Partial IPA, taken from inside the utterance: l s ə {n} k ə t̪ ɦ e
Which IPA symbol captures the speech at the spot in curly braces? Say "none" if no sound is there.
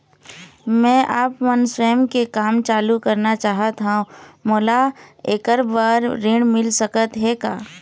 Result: none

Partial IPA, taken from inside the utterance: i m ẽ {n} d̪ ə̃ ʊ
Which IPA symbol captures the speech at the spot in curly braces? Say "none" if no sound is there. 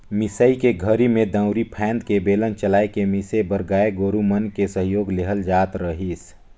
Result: none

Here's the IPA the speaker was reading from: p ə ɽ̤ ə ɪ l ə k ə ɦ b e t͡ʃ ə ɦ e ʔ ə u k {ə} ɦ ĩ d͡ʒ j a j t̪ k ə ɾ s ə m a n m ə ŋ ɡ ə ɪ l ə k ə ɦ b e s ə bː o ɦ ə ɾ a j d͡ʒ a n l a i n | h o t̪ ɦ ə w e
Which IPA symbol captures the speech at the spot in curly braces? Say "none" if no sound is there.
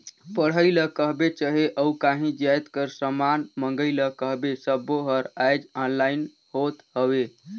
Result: a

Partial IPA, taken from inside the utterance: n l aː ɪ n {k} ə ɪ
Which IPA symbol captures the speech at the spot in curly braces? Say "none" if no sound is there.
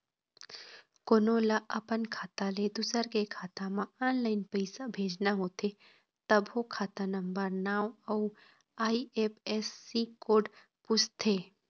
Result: p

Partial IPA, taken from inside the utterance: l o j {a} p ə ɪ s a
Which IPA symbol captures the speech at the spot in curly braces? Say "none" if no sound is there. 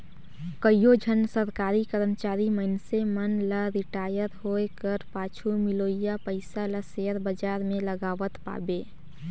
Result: a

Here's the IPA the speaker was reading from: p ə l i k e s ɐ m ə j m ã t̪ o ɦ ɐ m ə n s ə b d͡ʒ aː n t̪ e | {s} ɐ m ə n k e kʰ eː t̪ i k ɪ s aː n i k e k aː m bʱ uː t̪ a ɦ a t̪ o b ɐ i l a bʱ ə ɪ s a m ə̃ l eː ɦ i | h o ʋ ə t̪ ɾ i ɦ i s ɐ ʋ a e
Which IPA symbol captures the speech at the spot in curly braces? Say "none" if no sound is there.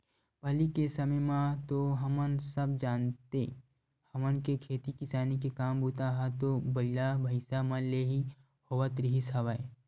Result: h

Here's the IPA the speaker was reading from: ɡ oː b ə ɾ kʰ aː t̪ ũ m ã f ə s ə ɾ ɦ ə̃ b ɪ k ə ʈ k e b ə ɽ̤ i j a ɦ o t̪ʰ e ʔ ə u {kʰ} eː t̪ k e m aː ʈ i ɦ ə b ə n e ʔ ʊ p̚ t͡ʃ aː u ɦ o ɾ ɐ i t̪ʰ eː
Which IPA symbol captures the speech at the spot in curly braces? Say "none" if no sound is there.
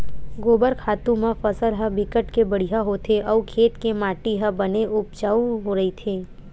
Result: kʰ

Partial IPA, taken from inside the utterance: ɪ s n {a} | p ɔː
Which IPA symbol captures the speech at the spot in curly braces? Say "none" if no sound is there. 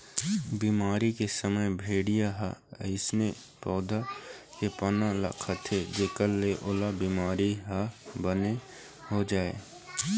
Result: e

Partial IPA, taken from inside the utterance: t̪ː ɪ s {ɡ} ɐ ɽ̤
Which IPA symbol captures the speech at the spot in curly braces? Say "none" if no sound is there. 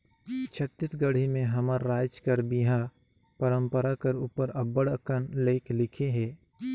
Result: ɡ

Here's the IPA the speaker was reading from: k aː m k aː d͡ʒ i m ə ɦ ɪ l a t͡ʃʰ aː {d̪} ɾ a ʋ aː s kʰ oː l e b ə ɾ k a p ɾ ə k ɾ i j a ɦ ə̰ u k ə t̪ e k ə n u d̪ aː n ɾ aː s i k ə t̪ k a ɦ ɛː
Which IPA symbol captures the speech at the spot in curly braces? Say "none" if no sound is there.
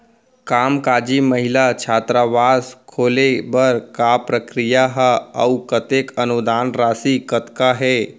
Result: t̪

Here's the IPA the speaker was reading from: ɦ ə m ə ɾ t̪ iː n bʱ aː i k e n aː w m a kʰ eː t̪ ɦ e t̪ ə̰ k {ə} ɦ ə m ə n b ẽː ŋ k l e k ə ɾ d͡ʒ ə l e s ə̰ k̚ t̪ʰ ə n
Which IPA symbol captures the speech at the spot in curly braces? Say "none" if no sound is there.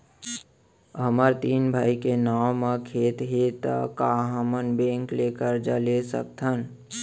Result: a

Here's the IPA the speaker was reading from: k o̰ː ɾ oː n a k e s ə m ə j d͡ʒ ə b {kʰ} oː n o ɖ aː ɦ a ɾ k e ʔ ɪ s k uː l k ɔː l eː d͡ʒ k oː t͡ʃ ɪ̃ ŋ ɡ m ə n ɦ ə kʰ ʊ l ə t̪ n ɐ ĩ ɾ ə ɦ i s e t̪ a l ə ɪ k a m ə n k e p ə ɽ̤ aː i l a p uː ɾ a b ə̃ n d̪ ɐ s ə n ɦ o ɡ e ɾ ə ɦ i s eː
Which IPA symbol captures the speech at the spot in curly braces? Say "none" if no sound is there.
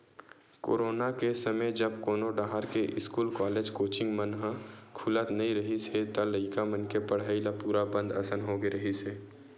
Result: k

